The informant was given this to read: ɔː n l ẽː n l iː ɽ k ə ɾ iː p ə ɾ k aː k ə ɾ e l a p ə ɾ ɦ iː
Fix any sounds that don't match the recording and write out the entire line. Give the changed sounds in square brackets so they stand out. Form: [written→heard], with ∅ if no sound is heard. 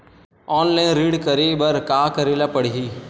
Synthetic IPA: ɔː n l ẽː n [l→ɾ] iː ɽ k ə ɾ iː [p→b] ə ɾ k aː k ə ɾ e l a p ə [ɾ→ɽ] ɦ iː